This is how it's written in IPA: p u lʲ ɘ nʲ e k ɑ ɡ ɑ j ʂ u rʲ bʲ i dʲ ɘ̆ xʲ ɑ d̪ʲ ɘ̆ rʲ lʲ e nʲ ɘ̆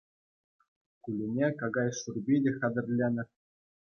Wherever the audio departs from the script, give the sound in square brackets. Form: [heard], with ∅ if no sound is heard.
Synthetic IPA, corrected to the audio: [k] u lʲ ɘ nʲ e k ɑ ɡ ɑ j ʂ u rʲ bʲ i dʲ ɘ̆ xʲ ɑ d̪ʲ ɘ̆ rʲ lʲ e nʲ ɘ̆